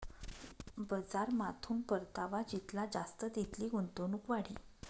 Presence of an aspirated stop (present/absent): present